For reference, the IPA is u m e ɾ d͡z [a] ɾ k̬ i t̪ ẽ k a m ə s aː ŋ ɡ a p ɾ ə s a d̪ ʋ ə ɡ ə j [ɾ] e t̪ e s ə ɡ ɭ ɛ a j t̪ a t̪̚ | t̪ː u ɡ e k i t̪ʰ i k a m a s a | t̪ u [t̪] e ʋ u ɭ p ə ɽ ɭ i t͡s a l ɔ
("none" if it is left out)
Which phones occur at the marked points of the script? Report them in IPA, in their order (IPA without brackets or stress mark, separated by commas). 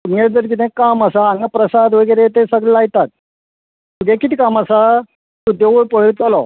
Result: ə, ɾ, d̪